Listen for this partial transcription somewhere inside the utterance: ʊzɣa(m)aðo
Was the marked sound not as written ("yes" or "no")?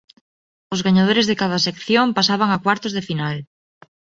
yes